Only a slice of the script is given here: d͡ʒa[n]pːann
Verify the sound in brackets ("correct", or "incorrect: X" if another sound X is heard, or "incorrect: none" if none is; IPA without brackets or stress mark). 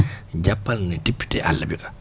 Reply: incorrect: none